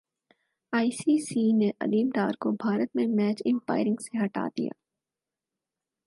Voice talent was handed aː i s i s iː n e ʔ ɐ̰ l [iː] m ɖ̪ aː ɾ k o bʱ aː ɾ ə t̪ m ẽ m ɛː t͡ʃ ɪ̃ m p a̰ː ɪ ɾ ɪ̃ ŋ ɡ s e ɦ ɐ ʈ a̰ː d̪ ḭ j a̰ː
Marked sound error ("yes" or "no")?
no